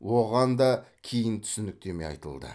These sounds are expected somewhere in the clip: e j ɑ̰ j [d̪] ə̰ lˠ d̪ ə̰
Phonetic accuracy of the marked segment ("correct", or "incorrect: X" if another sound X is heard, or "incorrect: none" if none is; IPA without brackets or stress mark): incorrect: t̪